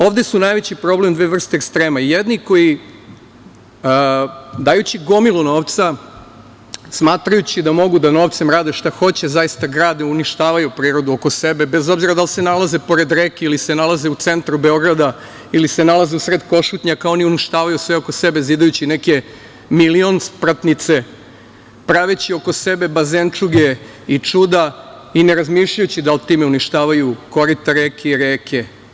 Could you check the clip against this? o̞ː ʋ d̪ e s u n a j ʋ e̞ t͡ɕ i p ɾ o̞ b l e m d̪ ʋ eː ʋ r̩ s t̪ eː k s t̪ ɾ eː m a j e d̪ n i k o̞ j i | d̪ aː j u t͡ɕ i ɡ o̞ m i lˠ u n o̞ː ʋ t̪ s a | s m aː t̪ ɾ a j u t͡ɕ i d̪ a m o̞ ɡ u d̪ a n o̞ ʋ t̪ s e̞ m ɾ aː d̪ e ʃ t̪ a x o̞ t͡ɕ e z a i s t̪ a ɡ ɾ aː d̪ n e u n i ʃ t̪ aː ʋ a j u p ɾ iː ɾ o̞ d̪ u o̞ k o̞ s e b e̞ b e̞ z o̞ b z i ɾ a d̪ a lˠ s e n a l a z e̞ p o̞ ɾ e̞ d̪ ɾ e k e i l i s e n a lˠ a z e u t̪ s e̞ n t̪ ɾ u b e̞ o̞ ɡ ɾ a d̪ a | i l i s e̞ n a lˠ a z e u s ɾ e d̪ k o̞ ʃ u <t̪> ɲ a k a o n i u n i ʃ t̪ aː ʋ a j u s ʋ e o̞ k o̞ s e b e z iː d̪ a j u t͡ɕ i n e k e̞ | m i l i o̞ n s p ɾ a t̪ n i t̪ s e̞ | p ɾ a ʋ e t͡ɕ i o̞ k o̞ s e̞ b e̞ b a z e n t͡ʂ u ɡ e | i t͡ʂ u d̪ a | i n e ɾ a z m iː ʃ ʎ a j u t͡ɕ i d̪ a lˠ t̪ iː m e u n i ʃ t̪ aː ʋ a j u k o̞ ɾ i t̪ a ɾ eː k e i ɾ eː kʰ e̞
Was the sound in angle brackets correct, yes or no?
yes